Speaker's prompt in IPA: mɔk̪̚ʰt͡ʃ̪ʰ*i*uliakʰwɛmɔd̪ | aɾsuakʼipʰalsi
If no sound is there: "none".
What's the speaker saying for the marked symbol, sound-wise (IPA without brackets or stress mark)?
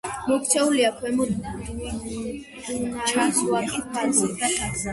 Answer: ɛ